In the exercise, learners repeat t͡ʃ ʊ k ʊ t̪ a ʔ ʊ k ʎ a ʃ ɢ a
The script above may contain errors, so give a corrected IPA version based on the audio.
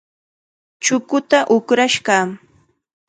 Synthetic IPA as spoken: t͡ʃ ʊ k ʊ t̪ a ʔ ʊ k ɾ a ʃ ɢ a